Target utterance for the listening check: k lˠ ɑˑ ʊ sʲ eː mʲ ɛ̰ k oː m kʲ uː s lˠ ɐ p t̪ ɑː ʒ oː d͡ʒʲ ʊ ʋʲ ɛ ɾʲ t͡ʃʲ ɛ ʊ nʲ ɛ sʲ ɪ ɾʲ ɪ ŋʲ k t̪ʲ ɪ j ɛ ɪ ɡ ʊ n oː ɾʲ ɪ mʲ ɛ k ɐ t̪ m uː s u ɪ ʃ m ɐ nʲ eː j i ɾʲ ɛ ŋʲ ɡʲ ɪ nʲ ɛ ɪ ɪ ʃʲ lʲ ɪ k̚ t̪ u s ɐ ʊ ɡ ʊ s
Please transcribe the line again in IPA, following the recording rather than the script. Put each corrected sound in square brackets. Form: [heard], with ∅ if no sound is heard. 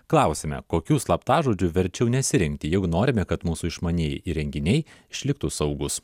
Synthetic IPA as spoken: k lˠ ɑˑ ʊ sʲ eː mʲ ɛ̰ k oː [∅] kʲ uː s lˠ ɐ p t̪ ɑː ʒ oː d͡ʒʲ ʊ ʋʲ ɛ ɾʲ t͡ʃʲ ɛ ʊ nʲ ɛ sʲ ɪ ɾʲ ɪ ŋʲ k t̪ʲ ɪ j ɛ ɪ ɡ ʊ n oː ɾʲ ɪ mʲ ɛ k ɐ t̪ m uː s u ɪ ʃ m ɐ nʲ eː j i ɾʲ ɛ ŋʲ ɡʲ ɪ nʲ ɛ ɪ ɪ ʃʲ lʲ ɪ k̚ t̪ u s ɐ ʊ ɡ ʊ s